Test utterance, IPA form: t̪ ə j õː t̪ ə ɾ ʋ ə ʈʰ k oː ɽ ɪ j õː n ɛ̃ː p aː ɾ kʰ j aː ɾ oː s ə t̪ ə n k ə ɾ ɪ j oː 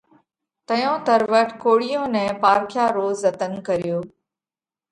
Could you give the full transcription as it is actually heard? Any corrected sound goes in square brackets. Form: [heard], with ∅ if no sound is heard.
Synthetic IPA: t̪ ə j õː t̪ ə ɾ ʋ ə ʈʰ k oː ɽ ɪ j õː n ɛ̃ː p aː ɾ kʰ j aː ɾ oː [z] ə t̪ ə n k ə ɾ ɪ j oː